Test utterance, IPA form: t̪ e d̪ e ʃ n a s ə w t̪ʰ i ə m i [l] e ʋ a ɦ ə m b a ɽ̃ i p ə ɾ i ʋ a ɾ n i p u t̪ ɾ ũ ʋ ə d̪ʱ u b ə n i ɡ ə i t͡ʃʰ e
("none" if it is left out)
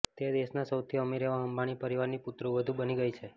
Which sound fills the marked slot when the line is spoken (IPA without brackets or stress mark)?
ɾ